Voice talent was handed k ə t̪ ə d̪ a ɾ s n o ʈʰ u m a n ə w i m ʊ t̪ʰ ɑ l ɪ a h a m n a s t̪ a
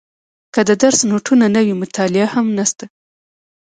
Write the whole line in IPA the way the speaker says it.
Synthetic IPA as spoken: k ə d̪ ə d̪ a ɾ s n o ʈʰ u n a n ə w i m ʊ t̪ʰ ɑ l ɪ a h a m n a s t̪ a